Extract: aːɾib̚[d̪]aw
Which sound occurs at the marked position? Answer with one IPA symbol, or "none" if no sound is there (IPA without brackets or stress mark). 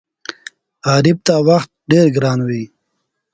t̪